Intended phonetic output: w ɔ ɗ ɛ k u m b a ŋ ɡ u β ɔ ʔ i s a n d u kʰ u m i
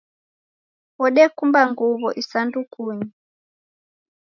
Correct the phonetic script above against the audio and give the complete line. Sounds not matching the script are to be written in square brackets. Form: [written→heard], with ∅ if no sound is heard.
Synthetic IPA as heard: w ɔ ɗ ɛ k u m b a ŋ ɡ u β ɔ ʔ i s a n d u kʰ u [m→ɲ] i